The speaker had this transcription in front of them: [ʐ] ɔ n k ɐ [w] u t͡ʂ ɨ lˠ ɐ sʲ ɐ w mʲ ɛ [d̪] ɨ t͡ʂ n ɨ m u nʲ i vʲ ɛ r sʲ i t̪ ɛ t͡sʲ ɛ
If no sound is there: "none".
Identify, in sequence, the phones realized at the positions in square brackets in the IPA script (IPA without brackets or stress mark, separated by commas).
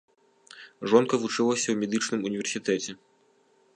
ʐ, v, d̪